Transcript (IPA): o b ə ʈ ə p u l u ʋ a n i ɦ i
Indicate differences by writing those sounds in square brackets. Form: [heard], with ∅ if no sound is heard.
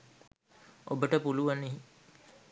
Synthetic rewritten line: o b ə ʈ ə p u l u ʋ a n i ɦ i